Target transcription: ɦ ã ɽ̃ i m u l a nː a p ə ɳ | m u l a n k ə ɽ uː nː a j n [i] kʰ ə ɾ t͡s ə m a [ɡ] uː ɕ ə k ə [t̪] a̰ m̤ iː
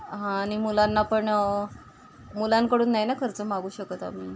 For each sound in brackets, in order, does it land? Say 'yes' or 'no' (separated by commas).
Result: no, yes, yes